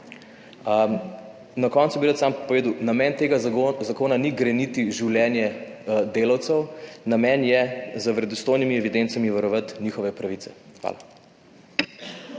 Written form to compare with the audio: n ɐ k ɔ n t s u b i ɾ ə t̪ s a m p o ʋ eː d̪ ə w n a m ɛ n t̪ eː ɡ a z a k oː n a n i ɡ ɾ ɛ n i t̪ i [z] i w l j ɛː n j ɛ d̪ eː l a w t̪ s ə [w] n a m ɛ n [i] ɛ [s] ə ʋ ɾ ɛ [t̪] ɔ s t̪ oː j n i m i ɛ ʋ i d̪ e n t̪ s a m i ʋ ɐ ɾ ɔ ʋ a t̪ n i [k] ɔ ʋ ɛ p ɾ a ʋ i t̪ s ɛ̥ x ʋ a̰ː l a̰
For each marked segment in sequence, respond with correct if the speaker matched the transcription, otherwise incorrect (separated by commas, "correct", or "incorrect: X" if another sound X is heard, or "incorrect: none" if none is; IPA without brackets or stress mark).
incorrect: ʒ, correct, incorrect: j, incorrect: z, incorrect: d̪, incorrect: x